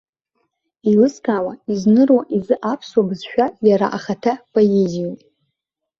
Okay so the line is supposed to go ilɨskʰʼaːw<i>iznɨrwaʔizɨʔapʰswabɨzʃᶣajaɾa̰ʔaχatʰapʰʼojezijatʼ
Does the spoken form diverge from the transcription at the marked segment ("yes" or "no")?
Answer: yes